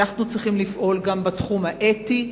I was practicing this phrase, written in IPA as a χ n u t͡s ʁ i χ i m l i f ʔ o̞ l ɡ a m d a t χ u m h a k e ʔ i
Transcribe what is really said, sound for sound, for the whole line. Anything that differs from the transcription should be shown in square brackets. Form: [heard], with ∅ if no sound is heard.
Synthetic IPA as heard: a χ n u t͡s ʁ i χ i m l i f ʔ o̞ l ɡ a m [b] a t χ u m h a [ʔ] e [t] i